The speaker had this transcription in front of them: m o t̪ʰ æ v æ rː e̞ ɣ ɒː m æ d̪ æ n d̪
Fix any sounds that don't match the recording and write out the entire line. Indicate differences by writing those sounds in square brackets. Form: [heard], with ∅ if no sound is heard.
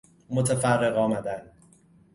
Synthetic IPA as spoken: m o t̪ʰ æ [f] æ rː e̞ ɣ ɒː m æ d̪ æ n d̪